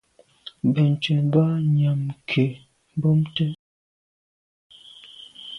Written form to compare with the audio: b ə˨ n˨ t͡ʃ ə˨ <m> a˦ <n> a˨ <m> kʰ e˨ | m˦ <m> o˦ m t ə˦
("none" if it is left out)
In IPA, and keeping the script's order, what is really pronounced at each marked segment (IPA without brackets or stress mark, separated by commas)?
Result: b, ɲ, m, b